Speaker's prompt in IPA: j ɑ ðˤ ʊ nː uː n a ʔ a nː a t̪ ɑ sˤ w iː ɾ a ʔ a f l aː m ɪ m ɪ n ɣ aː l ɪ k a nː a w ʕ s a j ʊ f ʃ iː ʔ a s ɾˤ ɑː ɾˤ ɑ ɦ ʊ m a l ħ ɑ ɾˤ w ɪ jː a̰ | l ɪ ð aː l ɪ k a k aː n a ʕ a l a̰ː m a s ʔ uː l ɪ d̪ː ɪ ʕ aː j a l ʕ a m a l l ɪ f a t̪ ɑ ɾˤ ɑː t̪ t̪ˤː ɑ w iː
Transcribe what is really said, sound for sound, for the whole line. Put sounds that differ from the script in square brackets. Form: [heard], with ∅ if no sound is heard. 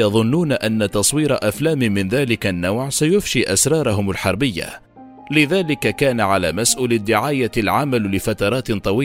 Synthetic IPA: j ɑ ðˤ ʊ nː uː n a ʔ a nː a t̪ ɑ sˤ w iː ɾ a ʔ a f l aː m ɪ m ɪ n [ð] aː l ɪ k a nː a w ʕ s a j ʊ f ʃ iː ʔ a s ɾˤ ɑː ɾˤ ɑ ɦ ʊ m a l ħ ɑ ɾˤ [b] ɪ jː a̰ | l ɪ ð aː l ɪ k a k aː n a ʕ a l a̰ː m a s ʔ uː l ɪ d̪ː ɪ ʕ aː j a l ʕ a m a l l ɪ f a t̪ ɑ ɾˤ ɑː t̪ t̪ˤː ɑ w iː